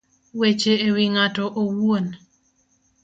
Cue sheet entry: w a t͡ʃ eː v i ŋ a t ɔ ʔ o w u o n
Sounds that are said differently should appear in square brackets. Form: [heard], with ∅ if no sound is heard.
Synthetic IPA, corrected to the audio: w [e] t͡ʃ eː [w] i ŋ a t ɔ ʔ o w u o n